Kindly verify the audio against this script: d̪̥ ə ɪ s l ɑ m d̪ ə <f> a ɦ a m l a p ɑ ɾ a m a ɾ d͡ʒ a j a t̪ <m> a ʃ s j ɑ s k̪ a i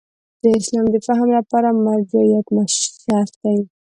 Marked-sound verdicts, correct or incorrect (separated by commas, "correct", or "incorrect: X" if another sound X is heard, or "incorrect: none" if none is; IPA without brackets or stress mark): correct, correct